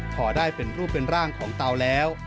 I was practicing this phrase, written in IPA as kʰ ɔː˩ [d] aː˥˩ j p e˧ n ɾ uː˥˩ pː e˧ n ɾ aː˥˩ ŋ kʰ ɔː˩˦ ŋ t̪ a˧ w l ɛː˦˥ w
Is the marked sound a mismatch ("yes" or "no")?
no